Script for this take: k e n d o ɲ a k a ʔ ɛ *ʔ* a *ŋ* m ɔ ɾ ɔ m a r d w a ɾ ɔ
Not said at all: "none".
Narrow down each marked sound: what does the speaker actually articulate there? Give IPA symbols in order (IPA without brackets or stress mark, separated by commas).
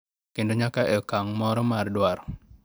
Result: k, ŋ